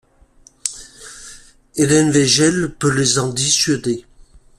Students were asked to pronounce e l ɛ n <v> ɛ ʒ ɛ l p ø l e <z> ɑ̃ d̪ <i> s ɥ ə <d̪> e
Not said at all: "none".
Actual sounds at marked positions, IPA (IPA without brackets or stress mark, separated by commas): v, z, i, d̪